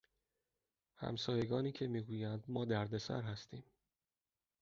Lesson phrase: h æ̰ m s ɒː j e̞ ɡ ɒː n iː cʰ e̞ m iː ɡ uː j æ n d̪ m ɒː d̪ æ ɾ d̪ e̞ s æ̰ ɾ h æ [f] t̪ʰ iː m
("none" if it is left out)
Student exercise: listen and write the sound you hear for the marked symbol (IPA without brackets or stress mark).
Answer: s